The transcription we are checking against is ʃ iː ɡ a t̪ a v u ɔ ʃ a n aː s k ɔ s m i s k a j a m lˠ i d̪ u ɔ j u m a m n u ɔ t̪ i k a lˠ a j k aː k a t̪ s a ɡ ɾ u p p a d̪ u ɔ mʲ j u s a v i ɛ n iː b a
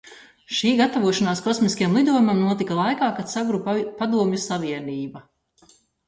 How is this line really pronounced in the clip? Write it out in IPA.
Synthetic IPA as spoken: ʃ iː ɡ a t̪ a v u ɔ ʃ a n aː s k ɔ s m i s k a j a m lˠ i d̪ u ɔ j u m a m n u ɔ t̪ i k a lˠ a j k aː k a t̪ s a ɡ ɾ u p p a d̪ u ɔ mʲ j u s a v i ɛ n iː b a